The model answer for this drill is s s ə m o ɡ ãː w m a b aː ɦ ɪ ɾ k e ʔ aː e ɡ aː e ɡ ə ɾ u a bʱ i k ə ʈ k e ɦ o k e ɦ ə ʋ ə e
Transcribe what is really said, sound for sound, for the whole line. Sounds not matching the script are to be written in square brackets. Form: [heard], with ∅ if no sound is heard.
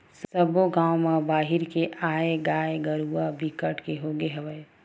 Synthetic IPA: s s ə [b] o ɡ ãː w m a b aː ɦ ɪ ɾ k e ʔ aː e ɡ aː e ɡ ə ɾ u a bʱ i k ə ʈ k e ɦ o [ɡ] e ɦ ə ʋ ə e